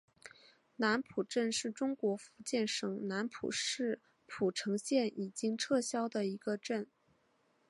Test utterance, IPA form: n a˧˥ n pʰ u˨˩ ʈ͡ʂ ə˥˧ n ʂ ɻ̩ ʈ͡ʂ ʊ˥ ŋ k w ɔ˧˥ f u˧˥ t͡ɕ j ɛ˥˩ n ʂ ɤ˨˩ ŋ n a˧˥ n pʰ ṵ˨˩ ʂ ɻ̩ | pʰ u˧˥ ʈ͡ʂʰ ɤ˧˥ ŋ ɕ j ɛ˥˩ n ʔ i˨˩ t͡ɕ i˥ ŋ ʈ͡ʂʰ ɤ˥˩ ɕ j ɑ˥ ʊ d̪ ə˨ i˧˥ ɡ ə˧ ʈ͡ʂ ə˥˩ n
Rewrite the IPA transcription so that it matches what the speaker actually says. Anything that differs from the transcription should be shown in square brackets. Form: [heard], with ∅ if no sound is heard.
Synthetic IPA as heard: n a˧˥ n pʰ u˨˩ ʈ͡ʂ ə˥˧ n ʂ ɻ̩ ʈ͡ʂ ʊ˥ ŋ k w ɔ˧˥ f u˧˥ t͡ɕ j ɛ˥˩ n ʂ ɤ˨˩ ŋ n a˧˥ n pʰ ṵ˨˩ ʂ ɻ̩ | pʰ [u˨˩] ʈ͡ʂʰ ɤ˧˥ ŋ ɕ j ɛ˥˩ n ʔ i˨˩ t͡ɕ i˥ ŋ ʈ͡ʂʰ ɤ˥˩ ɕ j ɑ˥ ʊ d̪ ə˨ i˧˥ ɡ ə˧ ʈ͡ʂ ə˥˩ n

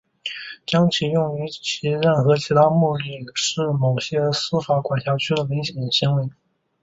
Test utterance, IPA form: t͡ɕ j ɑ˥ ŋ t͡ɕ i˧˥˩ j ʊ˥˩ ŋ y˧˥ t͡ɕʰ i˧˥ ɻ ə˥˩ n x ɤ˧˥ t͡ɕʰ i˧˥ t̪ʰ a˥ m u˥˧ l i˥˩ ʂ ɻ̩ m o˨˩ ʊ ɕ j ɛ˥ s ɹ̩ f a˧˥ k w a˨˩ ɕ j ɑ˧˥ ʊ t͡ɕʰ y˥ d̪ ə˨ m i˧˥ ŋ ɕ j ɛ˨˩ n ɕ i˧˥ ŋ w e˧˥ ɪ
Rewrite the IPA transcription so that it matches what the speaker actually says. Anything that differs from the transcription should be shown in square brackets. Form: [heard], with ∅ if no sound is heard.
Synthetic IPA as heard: t͡ɕ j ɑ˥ ŋ [t͡ɕʰ] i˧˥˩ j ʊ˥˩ ŋ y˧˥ t͡ɕʰ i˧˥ ɻ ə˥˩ n x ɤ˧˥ t͡ɕʰ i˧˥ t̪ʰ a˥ m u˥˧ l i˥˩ ʂ ɻ̩ m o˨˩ ʊ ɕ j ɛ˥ s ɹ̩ f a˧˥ k w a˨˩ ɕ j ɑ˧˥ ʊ t͡ɕʰ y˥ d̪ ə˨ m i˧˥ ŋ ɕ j ɛ˨˩ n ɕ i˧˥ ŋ w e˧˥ ɪ

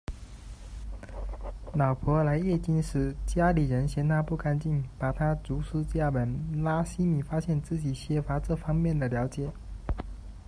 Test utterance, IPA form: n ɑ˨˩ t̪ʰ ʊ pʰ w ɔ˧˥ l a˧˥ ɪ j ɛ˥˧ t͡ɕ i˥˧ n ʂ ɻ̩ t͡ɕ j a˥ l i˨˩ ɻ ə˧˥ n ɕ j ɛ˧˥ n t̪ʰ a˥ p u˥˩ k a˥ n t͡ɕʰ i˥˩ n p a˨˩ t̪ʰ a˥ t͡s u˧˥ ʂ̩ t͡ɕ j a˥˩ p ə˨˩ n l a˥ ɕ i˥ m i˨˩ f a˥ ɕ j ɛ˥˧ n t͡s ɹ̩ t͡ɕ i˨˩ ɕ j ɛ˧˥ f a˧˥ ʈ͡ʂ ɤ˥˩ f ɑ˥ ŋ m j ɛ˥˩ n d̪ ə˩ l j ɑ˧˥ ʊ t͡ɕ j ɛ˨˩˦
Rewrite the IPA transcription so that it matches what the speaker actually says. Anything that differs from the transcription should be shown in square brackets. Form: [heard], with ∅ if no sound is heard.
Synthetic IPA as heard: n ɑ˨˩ [∅] ʊ pʰ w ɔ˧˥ l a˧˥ ɪ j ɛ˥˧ t͡ɕ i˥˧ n ʂ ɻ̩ t͡ɕ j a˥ l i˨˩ ɻ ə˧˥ n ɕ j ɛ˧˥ n t̪ʰ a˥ p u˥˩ k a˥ n [t͡ɕ] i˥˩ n p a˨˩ t̪ʰ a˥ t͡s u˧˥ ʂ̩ t͡ɕ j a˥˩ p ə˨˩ n l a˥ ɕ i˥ m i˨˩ f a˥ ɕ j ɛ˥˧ n t͡s ɹ̩ t͡ɕ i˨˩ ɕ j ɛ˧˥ f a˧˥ ʈ͡ʂ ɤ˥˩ f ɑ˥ ŋ m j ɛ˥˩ n d̪ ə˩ l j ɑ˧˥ ʊ t͡ɕ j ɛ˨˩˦

